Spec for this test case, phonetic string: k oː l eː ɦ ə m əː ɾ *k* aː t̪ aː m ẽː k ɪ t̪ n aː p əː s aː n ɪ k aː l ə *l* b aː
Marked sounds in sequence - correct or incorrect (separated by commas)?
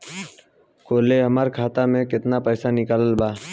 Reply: incorrect, correct